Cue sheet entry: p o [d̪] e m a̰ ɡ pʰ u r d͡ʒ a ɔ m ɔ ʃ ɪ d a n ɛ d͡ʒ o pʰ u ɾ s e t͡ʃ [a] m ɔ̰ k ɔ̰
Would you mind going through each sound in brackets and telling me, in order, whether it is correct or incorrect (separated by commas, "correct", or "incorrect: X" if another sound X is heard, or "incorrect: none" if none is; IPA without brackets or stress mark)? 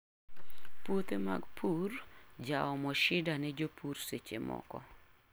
incorrect: t̪, incorrect: e